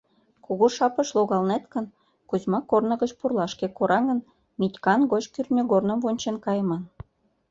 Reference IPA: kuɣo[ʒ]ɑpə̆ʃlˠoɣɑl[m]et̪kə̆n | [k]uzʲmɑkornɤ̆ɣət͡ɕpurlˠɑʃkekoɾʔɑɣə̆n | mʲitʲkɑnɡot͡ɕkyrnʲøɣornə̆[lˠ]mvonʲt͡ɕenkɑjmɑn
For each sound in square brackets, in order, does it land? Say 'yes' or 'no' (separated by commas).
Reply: no, no, yes, no